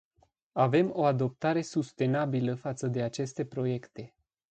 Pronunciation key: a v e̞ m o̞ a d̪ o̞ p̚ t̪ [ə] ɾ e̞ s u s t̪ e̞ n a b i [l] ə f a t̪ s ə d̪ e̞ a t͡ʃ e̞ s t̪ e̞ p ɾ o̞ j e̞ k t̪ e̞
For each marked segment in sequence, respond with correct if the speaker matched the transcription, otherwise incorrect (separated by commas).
incorrect, correct